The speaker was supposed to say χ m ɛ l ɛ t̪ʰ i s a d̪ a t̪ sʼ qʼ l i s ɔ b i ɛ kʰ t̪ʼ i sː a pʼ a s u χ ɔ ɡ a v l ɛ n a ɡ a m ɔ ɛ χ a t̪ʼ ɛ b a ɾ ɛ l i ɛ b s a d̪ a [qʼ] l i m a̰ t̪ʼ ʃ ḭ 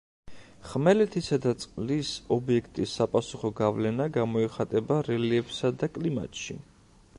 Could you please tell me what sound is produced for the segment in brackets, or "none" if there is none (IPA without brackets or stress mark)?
kʼ